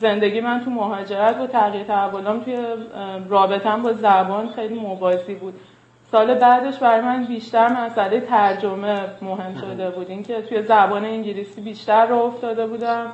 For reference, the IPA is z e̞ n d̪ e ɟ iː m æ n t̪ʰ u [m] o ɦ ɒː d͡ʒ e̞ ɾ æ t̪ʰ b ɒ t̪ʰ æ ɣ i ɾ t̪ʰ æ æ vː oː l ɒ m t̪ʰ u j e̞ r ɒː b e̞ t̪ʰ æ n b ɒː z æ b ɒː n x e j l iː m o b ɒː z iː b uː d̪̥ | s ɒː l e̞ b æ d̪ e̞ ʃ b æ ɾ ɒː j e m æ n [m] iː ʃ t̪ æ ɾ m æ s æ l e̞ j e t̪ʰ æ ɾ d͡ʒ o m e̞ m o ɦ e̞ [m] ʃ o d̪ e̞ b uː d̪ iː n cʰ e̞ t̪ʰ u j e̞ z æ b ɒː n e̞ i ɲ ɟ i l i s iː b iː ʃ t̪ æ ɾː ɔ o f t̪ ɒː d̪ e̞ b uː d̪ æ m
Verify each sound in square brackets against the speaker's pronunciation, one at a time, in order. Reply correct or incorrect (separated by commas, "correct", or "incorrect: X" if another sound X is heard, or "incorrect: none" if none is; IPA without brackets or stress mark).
correct, incorrect: b, correct